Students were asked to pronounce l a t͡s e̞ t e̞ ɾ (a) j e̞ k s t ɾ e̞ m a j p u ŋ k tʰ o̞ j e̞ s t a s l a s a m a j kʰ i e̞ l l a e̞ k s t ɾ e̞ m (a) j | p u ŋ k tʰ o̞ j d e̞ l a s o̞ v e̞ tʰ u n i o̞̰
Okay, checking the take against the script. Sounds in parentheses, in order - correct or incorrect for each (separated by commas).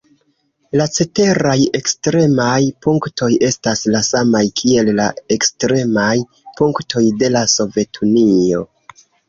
correct, correct